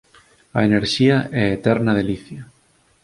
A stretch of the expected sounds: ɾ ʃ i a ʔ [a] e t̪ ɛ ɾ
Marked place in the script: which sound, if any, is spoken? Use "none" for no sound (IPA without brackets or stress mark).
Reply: ɛ